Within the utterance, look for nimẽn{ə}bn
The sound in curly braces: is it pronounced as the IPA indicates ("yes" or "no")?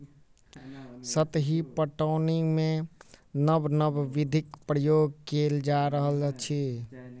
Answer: yes